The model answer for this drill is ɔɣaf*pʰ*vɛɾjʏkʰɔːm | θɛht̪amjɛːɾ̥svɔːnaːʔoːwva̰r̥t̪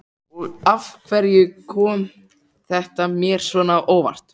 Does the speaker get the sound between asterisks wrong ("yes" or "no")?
yes